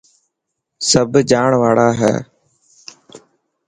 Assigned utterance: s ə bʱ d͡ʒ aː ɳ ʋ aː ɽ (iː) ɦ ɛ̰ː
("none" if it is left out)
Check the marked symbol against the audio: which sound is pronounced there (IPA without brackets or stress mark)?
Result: aː